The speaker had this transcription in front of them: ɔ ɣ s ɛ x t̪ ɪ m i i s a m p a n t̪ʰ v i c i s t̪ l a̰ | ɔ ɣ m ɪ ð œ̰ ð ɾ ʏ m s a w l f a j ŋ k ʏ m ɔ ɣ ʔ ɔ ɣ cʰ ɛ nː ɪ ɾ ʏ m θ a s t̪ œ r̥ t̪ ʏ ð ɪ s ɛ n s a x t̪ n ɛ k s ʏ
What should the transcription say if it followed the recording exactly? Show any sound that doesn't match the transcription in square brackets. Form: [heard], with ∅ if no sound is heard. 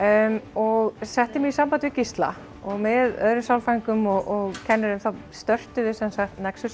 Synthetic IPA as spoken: ɔ ɣ s ɛ [h] t̪ ɪ m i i s a m p a n [t̪] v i c i s t̪ l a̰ | ɔ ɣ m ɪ ð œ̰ ð ɾ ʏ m s a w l f a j ŋ k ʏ m ɔ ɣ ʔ ɔ ɣ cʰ ɛ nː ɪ ɾ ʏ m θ a s t̪ œ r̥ t̪ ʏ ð ɪ s ɛ n s a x t̪ n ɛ k s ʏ